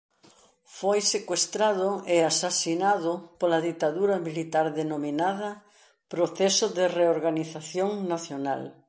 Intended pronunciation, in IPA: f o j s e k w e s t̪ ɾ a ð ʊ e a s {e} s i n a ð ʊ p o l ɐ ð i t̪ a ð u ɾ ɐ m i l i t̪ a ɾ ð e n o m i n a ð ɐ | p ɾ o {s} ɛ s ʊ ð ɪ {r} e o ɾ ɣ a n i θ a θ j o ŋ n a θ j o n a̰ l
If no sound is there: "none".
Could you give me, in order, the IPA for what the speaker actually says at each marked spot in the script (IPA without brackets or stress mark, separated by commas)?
a, θ, r